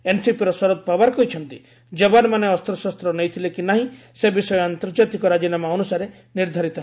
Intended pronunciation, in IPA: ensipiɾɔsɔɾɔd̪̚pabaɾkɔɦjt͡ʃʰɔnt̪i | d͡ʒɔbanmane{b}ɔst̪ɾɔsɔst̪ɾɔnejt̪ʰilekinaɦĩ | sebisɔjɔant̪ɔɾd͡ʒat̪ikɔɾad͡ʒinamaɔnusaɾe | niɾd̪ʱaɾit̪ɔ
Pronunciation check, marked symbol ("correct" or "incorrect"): incorrect